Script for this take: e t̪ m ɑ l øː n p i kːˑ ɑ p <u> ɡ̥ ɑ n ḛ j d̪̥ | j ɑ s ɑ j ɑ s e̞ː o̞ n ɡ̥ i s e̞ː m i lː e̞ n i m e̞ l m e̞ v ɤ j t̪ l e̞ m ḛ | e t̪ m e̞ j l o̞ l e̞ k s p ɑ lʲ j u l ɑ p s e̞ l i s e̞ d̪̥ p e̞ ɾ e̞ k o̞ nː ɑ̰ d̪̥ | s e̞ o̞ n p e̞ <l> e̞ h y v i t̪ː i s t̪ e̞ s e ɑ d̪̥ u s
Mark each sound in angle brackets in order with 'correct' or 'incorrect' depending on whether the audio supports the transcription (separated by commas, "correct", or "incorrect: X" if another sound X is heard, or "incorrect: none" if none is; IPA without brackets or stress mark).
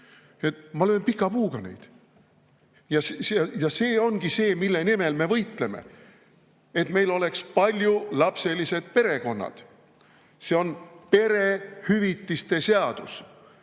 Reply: incorrect: uː, incorrect: ɾ